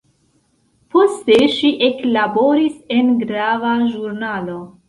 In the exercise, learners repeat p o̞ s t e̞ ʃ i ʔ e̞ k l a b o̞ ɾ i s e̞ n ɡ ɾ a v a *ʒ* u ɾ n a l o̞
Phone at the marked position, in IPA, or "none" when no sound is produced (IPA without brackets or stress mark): ʒ